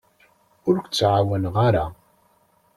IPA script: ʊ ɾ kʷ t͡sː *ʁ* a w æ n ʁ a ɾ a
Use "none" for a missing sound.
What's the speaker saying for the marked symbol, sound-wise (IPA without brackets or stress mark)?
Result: ʕ